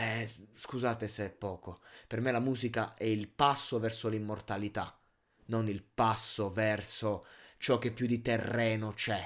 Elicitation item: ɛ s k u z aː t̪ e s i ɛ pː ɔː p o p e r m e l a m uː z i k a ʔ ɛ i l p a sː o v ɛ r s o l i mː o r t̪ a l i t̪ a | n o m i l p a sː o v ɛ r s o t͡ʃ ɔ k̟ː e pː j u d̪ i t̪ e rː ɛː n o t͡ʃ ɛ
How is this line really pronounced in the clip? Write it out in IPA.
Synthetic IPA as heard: ɛ s k u z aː t̪ e s e ɛ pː ɔː k o p e r m e l a m uː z i k a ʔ ɛ i l p a sː o v ɛ r s o l i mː o r t̪ a l i t̪ a | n o n i l p a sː o v ɛ r s o t͡ʃ ɔ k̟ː e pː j u d̪ i t̪ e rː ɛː n o t͡ʃ ɛ